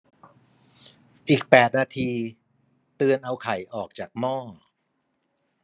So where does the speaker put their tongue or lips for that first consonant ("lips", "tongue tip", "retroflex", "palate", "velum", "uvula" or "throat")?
throat